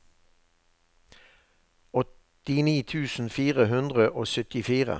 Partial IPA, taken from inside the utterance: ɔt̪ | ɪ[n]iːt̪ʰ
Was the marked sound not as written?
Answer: no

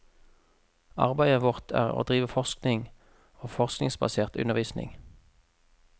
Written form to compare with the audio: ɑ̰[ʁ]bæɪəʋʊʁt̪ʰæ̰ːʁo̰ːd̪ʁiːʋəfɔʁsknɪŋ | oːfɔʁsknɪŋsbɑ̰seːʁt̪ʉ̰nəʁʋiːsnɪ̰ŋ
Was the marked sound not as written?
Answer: no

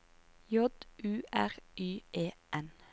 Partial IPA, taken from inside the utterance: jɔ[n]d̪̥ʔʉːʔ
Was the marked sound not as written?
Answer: yes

